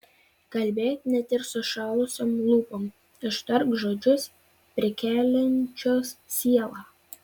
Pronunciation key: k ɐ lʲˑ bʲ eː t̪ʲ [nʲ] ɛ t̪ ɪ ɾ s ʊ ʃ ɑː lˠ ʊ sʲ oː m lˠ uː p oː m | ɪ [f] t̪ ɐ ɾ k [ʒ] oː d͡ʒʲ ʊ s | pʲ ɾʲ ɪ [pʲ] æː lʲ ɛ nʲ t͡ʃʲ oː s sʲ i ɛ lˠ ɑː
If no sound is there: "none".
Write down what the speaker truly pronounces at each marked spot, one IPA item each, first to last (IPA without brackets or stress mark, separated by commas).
nʲ, ʃ, ʒ, kʲ